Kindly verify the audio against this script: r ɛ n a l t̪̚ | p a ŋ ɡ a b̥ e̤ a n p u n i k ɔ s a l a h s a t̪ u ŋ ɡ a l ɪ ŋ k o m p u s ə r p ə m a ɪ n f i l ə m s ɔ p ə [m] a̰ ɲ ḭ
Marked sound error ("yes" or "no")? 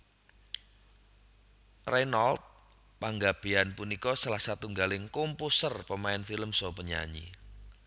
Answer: yes